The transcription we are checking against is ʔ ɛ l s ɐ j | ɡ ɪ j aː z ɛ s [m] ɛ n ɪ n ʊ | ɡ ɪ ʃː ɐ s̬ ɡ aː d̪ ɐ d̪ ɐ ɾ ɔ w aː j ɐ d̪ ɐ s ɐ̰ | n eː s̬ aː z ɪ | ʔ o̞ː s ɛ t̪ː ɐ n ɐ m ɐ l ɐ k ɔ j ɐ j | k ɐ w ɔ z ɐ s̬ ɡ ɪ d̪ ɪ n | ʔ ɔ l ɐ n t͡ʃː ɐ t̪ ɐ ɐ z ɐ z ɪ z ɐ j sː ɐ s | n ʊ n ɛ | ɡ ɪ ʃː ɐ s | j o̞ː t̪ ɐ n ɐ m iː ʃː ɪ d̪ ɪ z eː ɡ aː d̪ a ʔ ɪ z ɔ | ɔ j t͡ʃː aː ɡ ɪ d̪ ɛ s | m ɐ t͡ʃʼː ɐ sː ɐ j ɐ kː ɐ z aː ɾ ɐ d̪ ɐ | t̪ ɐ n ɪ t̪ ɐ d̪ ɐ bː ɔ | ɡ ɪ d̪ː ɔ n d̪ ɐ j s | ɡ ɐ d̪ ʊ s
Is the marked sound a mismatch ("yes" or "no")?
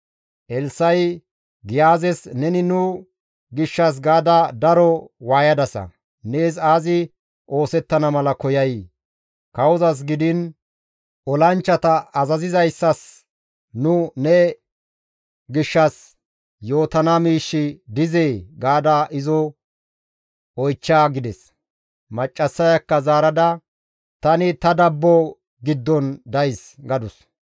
yes